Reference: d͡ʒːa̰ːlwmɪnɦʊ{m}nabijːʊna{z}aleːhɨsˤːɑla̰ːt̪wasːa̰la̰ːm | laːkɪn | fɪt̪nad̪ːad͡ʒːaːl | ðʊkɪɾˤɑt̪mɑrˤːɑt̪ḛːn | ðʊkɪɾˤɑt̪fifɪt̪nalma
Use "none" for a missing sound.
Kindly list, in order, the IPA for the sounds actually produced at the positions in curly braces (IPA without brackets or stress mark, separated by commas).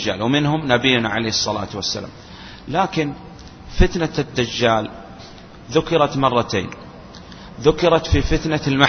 m, ʕ